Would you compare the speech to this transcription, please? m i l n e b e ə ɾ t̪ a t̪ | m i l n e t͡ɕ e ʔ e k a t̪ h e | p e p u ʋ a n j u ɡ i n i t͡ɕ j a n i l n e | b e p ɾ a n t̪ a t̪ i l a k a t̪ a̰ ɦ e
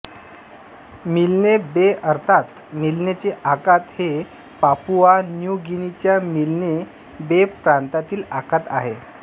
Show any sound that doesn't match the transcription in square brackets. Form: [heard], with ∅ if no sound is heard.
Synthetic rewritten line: m i l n e b e ə ɾ [t̪ʰ] a t̪ | m i l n e t͡ɕ e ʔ [a] k a t̪ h e | p [a] p u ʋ a n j u ɡ i n i t͡ɕ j a [m] i l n e | b e p ɾ a n t̪ a t̪ [iː] l a k a t̪ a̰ ɦ e